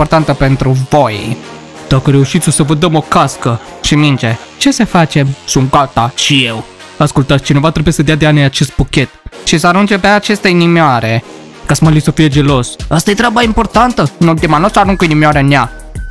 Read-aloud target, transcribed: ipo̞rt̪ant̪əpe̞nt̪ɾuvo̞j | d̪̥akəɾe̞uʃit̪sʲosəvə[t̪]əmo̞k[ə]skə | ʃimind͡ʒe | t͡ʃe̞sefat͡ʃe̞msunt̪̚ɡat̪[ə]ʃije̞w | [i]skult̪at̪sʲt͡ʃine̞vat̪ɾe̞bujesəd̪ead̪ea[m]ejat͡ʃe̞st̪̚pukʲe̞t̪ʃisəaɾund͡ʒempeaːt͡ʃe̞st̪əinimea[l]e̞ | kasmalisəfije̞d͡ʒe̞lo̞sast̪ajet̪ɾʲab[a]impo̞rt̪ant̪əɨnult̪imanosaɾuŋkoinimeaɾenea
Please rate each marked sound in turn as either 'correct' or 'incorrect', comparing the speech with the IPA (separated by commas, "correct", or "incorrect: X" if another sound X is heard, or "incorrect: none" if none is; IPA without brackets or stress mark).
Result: incorrect: d̪, incorrect: a, incorrect: a, incorrect: a, incorrect: n, incorrect: ɾ, correct